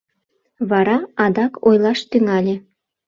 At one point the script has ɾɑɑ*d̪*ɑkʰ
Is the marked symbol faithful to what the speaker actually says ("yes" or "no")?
yes